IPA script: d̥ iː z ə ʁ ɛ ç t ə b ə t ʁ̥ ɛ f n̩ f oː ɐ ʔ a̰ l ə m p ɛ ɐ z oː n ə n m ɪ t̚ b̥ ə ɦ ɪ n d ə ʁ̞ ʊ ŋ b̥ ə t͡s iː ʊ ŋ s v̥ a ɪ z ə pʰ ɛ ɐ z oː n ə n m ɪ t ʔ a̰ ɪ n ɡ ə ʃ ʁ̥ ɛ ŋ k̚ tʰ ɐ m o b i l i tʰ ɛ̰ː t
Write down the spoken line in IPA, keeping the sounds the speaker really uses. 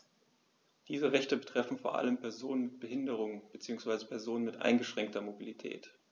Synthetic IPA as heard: d̥ iː z ə ʁ ɛ ç t ə b ə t ʁ̥ ɛ f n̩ f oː ɐ ʔ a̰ l ə m p ɛ ɐ z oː n ə n m ɪ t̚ b̥ ə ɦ ɪ n d ə ʁ̞ ʊ ŋ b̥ ə t͡s iː ʊ ŋ s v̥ a ɪ z ə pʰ ɛ ɐ z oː n ə n m ɪ t ʔ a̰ ɪ n ɡ ə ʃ ʁ̥ ɛ ŋ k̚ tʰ ɐ m o b i l i tʰ ɛ̰ː t